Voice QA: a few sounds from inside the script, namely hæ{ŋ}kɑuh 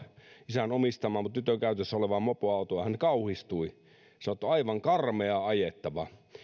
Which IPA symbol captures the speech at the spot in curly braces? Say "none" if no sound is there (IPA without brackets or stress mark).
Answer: n